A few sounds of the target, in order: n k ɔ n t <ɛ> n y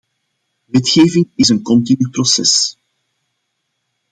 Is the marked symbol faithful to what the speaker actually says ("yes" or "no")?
no